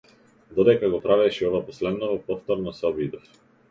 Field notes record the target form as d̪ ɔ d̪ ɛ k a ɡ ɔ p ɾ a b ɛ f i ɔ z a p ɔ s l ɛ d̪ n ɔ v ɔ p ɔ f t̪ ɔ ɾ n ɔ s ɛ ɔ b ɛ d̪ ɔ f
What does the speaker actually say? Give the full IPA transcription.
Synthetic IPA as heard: d̪ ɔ d̪ ɛ k a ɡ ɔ p ɾ a v ɛ ʃ i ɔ v a p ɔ s l ɛ d̪ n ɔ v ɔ p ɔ f t̪ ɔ ɾ n ɔ s ɛ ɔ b i d̪ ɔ f